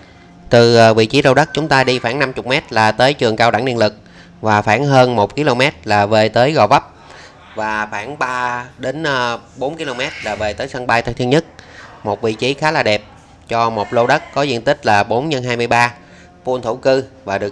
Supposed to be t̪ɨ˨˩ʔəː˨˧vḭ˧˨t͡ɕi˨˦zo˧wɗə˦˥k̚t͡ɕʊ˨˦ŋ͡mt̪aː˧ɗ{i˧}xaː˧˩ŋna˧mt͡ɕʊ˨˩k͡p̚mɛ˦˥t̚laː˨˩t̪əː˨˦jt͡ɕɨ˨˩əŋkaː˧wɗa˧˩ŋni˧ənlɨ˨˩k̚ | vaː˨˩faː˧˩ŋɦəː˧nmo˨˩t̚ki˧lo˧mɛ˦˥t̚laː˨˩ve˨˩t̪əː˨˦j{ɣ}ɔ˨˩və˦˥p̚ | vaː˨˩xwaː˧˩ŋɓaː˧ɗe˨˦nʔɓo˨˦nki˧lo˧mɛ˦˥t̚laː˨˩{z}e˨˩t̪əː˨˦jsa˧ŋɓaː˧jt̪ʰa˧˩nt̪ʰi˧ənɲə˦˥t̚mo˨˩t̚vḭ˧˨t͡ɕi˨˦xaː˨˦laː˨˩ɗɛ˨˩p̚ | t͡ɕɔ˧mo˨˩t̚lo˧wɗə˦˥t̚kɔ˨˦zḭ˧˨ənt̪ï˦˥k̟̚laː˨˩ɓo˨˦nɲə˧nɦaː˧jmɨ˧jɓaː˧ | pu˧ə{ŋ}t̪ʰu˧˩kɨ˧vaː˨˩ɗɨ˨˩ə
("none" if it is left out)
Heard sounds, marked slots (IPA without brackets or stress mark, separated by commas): i˧, ɣ, v, n